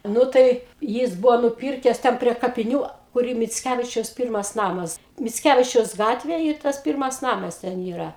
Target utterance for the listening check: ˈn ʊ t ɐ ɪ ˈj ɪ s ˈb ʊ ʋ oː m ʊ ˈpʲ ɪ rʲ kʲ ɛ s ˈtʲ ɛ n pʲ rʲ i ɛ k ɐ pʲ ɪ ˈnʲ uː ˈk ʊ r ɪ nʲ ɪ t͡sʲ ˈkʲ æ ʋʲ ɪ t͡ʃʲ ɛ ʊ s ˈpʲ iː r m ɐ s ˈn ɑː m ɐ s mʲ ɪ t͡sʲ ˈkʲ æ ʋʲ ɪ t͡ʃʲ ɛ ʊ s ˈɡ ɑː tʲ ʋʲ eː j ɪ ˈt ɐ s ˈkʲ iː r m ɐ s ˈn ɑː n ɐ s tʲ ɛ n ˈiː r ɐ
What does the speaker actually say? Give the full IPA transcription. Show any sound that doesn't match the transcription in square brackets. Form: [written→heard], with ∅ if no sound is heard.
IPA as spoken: ˈn ʊ t ɐ ɪ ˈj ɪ s ˈb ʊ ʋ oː [m→n] ʊ ˈpʲ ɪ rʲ kʲ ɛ s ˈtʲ ɛ n pʲ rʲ i ɛ k ɐ pʲ ɪ ˈnʲ uː ˈk ʊ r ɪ [nʲ→mʲ] ɪ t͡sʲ ˈkʲ æ ʋʲ ɪ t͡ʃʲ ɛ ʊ s ˈpʲ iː r m ɐ s ˈn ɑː m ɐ s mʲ ɪ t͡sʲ ˈkʲ æ ʋʲ ɪ t͡ʃʲ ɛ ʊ s ˈɡ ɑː tʲ ʋʲ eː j ɪ ˈt ɐ s [ˈkʲ→ˈpʲ] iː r m ɐ s ˈn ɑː [n→m] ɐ s tʲ ɛ n ˈiː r ɐ

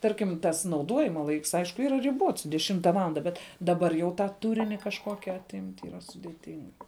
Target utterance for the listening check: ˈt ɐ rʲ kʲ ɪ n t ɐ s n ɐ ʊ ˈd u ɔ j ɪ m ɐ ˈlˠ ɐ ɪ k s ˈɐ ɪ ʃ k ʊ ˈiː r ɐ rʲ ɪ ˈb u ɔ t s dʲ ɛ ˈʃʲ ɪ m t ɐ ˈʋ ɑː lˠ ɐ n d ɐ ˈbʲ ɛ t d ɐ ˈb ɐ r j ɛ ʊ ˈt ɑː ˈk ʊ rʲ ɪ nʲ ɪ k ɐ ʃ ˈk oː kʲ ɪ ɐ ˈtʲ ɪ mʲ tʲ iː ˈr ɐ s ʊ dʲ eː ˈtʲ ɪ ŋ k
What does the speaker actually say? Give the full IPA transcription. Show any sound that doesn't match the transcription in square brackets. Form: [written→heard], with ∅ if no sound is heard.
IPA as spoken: ˈt ɐ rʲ kʲ ɪ [n→m] t ɐ s n ɐ ʊ ˈd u ɔ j ɪ m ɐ ˈlˠ ɐ ɪ k s ˈɐ ɪ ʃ k ʊ ˈiː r ɐ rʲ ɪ ˈb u ɔ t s dʲ ɛ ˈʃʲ ɪ m t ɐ ˈʋ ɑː lˠ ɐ n d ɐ ˈbʲ ɛ t d ɐ ˈb ɐ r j ɛ ʊ ˈt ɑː [ˈk→ˈt] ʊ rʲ ɪ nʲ ɪ k ɐ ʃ ˈk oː kʲ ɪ ɐ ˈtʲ ɪ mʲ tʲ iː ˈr ɐ s ʊ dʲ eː ˈtʲ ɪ ŋ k

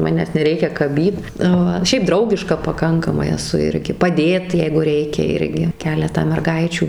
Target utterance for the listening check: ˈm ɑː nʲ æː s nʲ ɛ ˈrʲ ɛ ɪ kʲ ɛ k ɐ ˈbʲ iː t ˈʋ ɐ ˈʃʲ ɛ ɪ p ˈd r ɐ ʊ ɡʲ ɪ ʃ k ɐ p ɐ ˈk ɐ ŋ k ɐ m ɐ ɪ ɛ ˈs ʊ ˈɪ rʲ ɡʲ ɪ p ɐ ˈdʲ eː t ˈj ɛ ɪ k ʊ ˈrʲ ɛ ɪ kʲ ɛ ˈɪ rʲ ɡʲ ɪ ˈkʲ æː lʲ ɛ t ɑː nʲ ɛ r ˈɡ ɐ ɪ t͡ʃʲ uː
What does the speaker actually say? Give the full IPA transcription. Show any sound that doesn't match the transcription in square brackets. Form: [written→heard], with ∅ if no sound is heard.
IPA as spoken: ˈm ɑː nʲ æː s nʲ ɛ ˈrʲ ɛ ɪ kʲ ɛ k ɐ ˈbʲ iː t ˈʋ ɐ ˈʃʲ ɛ ɪ p ˈd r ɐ ʊ ɡʲ ɪ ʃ k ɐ p ɐ ˈk ɐ ŋ k ɐ m ɐ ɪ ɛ ˈs ʊ ˈɪ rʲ ɡʲ ɪ p ɐ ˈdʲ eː t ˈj ɛ ɪ [k→ɡ] ʊ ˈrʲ ɛ ɪ kʲ ɛ ˈɪ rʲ ɡʲ ɪ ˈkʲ æː lʲ ɛ t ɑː [nʲ→mʲ] ɛ r ˈɡ ɐ ɪ t͡ʃʲ uː

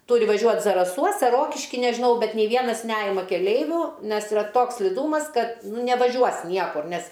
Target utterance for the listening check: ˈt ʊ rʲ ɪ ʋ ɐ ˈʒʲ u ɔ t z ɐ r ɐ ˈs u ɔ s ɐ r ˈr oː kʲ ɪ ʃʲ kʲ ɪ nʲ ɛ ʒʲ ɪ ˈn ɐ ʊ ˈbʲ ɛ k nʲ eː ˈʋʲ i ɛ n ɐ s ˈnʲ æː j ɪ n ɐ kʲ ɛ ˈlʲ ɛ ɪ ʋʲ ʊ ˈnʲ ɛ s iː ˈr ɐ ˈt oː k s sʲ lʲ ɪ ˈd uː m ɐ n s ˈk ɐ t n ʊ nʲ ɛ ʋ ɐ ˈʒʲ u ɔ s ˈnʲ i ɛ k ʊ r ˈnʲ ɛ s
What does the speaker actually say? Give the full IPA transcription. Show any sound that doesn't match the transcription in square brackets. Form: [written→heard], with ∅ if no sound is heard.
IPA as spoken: ˈt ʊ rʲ ɪ ʋ ɐ ˈʒʲ u ɔ t z ɐ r ɐ ˈs u ɔ s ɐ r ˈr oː kʲ ɪ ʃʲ kʲ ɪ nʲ ɛ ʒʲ ɪ ˈn ɐ ʊ ˈbʲ ɛ [k→t] nʲ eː ˈʋʲ i ɛ n ɐ s ˈnʲ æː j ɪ [n→m] ɐ kʲ ɛ ˈlʲ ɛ ɪ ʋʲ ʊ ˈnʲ ɛ s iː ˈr ɐ ˈt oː k s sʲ lʲ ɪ ˈd uː m ɐ [n→∅] s ˈk ɐ t n ʊ nʲ ɛ ʋ ɐ ˈʒʲ u ɔ s ˈnʲ i ɛ k ʊ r ˈnʲ ɛ s

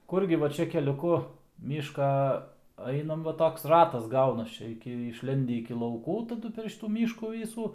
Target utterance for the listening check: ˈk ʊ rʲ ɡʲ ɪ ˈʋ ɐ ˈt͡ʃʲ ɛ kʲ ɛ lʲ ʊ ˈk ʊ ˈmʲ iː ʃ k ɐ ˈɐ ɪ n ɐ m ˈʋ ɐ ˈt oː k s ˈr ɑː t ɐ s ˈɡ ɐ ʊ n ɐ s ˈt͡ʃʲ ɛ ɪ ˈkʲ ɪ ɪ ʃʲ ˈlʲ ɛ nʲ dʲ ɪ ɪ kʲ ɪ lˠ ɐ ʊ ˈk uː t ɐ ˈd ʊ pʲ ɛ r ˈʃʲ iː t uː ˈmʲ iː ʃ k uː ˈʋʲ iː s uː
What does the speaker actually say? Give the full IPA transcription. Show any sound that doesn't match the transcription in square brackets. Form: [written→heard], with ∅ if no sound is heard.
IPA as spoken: ˈk ʊ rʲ ɡʲ ɪ ˈʋ ɐ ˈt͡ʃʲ ɛ kʲ ɛ lʲ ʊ ˈk ʊ ˈmʲ iː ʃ k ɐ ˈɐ ɪ n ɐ m ˈʋ ɐ ˈt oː k s ˈr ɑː t ɐ s ˈɡ ɐ ʊ n ɐ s ˈt͡ʃʲ ɛ ɪ ˈkʲ ɪ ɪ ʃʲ ˈlʲ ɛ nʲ dʲ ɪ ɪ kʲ ɪ lˠ ɐ ʊ ˈk uː t ɐ ˈd ʊ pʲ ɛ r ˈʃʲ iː t uː ˈmʲ iː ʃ k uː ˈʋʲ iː s uː

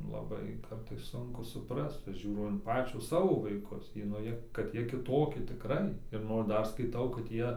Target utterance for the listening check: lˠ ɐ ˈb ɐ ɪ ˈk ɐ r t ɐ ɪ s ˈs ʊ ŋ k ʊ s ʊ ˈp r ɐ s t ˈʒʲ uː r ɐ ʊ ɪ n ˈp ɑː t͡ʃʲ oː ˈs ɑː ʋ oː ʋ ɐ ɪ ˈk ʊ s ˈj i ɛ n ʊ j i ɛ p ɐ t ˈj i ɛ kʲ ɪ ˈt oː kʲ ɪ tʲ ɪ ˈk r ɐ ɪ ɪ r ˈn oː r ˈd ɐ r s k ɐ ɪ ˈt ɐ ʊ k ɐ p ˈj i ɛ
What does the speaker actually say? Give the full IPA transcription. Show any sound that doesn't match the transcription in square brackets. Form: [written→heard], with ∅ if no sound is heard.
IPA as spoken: lˠ ɐ ˈb ɐ ɪ ˈk ɐ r t ɐ ɪ s ˈs ʊ ŋ k ʊ s ʊ ˈp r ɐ s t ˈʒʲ uː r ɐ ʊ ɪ n ˈp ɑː t͡ʃʲ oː ˈs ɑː ʋ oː ʋ ɐ ɪ ˈk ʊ s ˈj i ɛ n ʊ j i ɛ [p→k] ɐ t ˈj i ɛ kʲ ɪ ˈt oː kʲ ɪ tʲ ɪ ˈk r ɐ ɪ ɪ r ˈn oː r ˈd ɐ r s k ɐ ɪ ˈt ɐ ʊ k ɐ [p→t] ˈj i ɛ

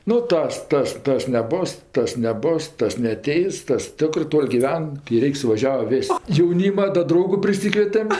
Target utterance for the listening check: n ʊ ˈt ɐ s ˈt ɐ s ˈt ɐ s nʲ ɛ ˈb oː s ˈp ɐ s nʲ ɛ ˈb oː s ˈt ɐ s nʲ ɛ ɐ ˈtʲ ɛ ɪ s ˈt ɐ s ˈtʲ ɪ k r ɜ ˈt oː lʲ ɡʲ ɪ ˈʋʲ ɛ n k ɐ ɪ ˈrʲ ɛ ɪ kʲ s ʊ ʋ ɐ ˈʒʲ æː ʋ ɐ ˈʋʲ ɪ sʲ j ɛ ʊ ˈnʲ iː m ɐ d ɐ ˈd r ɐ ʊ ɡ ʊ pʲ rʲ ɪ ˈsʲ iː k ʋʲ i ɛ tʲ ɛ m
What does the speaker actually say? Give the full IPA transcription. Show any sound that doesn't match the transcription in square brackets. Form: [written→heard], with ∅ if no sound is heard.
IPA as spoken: n ʊ ˈt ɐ s ˈt ɐ s ˈt ɐ s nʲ ɛ ˈb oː s [ˈp→ˈt] ɐ s nʲ ɛ ˈb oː s ˈt ɐ s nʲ ɛ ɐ ˈtʲ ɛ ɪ s ˈt ɐ s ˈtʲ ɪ k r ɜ ˈt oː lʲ ɡʲ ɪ ˈʋʲ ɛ n k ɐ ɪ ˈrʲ ɛ ɪ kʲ s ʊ ʋ ɐ ˈʒʲ æː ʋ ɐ ˈʋʲ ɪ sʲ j ɛ ʊ ˈnʲ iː m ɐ d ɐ ˈd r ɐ ʊ ɡ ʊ pʲ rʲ ɪ ˈsʲ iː k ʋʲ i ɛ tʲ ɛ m

